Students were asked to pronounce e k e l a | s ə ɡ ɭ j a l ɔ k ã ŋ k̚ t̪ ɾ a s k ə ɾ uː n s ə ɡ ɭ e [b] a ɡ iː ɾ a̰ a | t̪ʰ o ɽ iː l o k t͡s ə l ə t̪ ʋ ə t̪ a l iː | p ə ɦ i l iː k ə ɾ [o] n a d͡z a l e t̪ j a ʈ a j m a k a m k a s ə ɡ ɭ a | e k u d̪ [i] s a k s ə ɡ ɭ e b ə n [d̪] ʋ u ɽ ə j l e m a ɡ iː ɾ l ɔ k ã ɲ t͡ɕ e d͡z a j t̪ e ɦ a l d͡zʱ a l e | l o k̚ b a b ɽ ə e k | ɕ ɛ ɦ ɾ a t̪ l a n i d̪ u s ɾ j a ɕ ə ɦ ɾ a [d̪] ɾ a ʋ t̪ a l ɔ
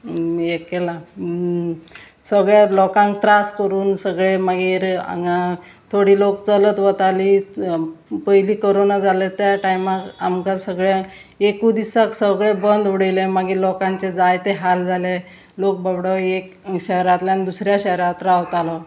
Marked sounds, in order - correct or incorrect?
incorrect: m, correct, correct, correct, incorrect: t̪

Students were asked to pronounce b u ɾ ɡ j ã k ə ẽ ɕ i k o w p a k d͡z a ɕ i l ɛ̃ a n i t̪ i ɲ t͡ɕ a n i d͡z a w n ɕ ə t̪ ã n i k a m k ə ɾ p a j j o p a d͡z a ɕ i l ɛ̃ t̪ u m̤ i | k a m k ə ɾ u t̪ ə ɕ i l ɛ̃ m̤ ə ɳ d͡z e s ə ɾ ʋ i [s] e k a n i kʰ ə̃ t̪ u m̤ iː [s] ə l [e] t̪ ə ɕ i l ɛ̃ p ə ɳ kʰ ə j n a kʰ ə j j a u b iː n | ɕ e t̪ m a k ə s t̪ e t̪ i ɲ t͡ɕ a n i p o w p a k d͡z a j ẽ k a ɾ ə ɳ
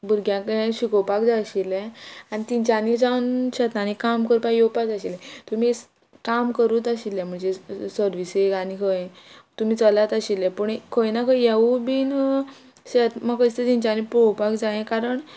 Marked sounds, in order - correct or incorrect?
correct, incorrect: t͡s, incorrect: a

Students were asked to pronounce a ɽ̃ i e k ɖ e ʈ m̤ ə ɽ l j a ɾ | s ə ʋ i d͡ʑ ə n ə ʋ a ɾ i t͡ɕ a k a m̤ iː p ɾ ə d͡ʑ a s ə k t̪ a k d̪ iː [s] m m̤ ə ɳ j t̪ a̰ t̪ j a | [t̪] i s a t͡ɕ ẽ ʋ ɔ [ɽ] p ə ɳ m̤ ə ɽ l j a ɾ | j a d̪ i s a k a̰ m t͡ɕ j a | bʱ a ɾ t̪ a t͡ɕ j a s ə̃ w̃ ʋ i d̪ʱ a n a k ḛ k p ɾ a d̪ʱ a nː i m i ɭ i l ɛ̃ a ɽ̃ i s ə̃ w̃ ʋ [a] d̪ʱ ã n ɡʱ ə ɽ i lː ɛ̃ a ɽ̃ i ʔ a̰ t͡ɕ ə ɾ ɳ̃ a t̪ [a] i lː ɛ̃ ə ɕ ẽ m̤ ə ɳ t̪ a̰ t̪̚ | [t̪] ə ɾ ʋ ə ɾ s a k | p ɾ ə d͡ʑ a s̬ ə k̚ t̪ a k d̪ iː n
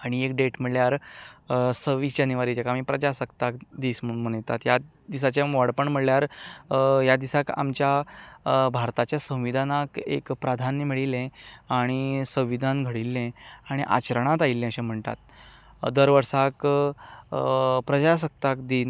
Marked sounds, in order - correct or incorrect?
correct, incorrect: d̪, correct, incorrect: i, correct, incorrect: d̪

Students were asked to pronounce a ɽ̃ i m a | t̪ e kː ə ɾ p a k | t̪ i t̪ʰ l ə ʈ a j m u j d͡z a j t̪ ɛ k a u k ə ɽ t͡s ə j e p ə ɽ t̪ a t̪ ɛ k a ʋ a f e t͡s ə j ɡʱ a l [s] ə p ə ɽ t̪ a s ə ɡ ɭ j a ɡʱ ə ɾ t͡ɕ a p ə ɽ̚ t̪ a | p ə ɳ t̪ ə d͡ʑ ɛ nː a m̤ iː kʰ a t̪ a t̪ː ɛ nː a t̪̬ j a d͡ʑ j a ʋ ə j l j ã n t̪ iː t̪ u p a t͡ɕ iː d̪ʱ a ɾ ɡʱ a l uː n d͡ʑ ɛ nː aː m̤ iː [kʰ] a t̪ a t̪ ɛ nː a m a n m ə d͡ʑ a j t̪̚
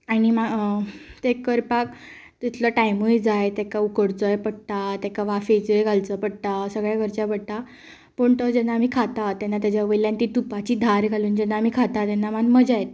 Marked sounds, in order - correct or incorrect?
incorrect: t͡s, correct

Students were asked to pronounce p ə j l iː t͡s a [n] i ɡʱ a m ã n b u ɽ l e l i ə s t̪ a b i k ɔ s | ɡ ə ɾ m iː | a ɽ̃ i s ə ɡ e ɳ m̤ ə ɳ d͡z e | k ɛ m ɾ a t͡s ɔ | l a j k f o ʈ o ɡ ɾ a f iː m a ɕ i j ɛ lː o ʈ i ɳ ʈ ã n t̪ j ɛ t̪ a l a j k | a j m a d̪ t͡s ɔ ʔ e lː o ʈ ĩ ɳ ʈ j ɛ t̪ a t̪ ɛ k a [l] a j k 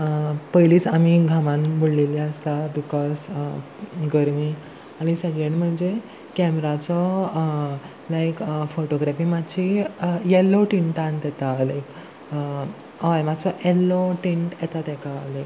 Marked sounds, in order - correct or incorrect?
incorrect: m, correct

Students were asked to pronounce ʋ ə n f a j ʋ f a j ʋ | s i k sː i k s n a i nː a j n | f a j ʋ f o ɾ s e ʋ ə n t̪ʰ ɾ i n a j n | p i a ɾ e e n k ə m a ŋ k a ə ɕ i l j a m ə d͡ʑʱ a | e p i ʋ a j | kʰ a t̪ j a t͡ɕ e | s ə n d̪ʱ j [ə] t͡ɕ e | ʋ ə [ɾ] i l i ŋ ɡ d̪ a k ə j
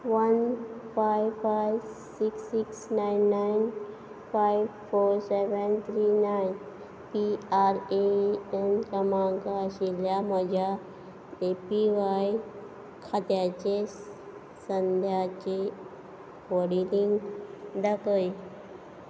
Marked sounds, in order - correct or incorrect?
incorrect: a, incorrect: ɽ

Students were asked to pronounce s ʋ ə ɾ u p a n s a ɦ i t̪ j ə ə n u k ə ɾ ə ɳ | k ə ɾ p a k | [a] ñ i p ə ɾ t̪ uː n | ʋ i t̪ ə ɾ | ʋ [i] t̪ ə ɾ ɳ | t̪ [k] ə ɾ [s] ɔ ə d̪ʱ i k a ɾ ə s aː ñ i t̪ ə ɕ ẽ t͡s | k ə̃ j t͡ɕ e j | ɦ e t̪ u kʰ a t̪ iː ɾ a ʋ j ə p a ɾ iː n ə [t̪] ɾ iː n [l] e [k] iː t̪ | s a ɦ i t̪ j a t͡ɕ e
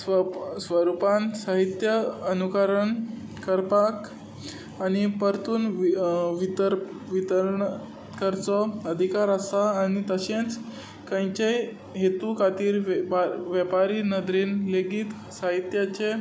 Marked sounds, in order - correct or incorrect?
correct, correct, correct, incorrect: t͡s, incorrect: d̪, correct, incorrect: ɡ

